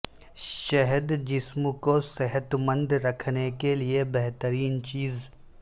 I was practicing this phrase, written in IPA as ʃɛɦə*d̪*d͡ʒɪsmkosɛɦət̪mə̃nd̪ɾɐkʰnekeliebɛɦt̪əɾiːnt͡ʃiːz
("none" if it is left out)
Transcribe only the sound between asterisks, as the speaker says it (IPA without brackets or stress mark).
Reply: d̪